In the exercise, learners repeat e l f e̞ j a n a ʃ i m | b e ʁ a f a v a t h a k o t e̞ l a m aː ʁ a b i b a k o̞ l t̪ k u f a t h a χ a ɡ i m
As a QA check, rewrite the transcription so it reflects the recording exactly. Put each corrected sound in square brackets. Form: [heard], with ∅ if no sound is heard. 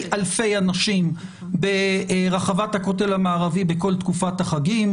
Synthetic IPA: [a] l f e̞ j a n a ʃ i m | b e ʁ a [χ] a v a t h a k o t e̞ l a m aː ʁ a [v] i b [e] k o̞ l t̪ k u f a t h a χ a ɡ i m